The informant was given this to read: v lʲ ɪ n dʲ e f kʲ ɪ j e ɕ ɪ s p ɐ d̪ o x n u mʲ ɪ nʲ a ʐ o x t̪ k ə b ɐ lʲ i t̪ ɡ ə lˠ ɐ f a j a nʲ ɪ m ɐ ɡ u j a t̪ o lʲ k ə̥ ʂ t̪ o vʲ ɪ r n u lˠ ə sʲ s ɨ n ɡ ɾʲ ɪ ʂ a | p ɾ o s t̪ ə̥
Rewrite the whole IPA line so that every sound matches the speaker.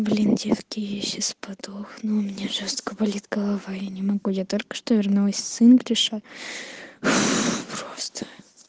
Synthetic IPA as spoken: v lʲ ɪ n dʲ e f kʲ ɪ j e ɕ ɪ s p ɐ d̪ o x n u mʲ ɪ nʲ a ʐ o s t̪ k ə b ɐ lʲ i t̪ ɡ ə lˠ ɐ v a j a nʲ ɪ m ɐ ɡ u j a t̪ o lʲ k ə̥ ʂ t̪ o vʲ ɪ r n u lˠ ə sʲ s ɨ n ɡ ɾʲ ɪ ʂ a | p ɾ o s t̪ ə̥